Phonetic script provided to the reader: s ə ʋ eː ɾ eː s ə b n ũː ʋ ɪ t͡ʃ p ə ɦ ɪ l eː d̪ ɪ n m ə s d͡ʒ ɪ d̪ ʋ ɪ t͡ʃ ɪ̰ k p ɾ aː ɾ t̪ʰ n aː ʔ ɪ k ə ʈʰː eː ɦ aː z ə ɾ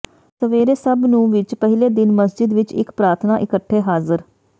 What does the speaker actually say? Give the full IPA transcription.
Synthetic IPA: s ə ʋ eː ɾ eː s ə b n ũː ʋ ɪ t͡ʃ p ə ɦ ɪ l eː d̪ ɪ n m ə s d͡ʒ ɪ d̪ ʋ ɪ t͡ʃ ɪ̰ k p ɾ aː ɾ t̪ʰ n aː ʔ ɪ k ə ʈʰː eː ɦ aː z ə ɾ